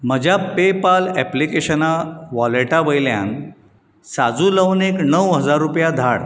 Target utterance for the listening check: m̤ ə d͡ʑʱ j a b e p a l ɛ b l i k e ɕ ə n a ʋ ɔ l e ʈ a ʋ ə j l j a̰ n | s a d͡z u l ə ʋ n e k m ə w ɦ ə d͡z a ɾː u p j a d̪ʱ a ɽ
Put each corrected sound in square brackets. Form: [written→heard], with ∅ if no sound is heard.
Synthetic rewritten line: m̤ ə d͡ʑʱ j a [b→p] e p a l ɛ [b→p] l i k e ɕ ə n a ʋ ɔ l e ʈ a ʋ ə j l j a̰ n | s a d͡z u l ə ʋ n e k [m→n] ə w ɦ ə d͡z a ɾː u p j a d̪ʱ a ɽ